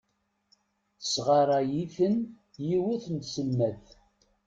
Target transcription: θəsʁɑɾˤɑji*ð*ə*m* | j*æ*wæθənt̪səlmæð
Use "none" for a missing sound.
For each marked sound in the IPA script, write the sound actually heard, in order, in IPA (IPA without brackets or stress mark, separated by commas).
θ, n, i